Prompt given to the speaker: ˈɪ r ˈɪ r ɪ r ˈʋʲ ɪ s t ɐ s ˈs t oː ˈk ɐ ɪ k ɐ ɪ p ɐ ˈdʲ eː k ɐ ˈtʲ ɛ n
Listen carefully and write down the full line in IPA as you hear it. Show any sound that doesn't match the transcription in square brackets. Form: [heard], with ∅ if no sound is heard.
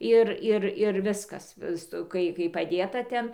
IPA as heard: ˈɪ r ˈɪ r ɪ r ˈʋʲ ɪ s [k] ɐ s ˈs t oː ˈk ɐ ɪ k ɐ ɪ p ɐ ˈdʲ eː [t] ɐ ˈtʲ ɛ n